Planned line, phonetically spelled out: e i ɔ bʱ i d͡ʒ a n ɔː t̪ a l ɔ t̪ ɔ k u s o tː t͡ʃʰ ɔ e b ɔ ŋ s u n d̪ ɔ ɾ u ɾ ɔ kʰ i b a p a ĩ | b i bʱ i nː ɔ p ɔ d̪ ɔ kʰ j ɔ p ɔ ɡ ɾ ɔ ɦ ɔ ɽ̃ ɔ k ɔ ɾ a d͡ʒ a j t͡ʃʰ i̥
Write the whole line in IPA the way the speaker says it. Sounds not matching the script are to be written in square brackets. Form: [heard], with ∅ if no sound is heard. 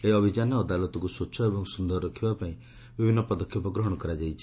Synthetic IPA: e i ɔ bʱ i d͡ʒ a n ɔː [d̪] a l ɔ t̪ ɔ k u s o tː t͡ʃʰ ɔ e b ɔ ŋ s u n d̪ ɔ ɾ [ɔ] ɾ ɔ kʰ i b a p a ĩ | b i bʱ i nː ɔ p ɔ d̪ ɔ kʰ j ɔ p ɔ ɡ ɾ ɔ ɦ ɔ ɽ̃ ɔ k ɔ ɾ a d͡ʒ a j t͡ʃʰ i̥